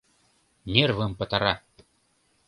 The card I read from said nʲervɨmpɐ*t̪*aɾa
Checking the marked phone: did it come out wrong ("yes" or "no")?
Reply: no